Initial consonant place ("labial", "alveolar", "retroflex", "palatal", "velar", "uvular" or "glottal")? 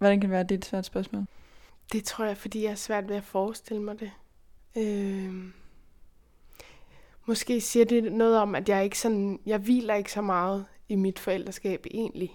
labial